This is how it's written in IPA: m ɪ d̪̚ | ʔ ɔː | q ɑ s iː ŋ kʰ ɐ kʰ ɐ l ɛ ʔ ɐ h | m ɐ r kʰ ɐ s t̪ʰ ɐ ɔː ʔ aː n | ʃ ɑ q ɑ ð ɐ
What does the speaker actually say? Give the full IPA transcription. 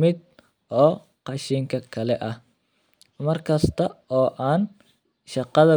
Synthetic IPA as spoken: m ɪ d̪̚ | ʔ ɔː | q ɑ ʃ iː ŋ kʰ ɐ kʰ ɐ l ɛ ʔ ɐ h | m ɐ r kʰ ɐ s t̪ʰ ɐ ɔː ʔ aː n | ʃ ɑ q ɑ ð ɐ